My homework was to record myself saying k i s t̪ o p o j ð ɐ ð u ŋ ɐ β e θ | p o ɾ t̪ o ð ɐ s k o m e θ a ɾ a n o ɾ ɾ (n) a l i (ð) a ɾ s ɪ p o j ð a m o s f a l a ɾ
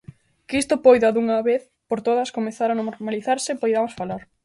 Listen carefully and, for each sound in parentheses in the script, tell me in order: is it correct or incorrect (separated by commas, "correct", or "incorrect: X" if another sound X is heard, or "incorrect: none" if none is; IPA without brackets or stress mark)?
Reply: incorrect: m, incorrect: θ